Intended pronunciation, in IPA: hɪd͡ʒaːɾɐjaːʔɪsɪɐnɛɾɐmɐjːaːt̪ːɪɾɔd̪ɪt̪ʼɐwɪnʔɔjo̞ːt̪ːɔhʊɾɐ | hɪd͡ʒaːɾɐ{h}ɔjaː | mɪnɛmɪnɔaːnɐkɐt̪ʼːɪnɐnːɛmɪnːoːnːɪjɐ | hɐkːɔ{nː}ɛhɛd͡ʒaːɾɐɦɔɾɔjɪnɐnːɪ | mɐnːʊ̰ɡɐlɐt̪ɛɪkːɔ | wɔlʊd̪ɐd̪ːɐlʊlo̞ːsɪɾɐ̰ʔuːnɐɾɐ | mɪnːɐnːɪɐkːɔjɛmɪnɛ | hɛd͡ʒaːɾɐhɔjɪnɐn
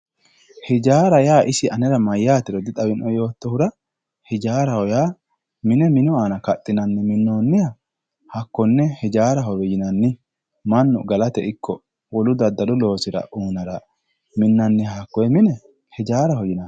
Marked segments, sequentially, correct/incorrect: correct, correct

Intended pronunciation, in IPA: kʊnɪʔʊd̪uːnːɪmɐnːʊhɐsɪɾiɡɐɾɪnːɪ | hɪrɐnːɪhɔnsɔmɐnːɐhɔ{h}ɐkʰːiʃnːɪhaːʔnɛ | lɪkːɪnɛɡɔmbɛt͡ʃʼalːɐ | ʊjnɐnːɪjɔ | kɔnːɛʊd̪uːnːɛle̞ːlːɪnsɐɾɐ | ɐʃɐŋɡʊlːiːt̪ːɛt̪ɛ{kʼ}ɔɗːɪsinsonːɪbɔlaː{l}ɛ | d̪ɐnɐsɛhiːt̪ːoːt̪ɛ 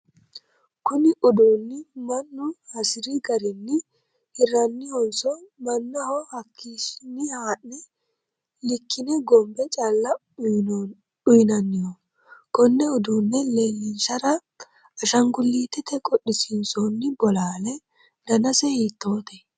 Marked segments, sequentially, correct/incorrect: correct, correct, correct

